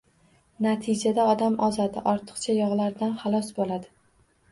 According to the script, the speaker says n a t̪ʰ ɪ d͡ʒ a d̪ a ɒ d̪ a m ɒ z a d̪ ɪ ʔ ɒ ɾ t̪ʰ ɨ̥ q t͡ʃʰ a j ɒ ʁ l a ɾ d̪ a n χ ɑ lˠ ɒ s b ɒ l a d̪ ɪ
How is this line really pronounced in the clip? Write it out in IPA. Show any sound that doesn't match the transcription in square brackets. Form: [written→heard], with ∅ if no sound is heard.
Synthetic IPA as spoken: n a t̪ʰ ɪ d͡ʒ a d̪ a ɒ d̪ a m ɒ z a d̪ ɪ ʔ ɒ ɾ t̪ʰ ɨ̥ q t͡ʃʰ a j ɒ ʁ l a ɾ d̪ a n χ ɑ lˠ ɒ s b [ɒ→o] l a d̪ ɪ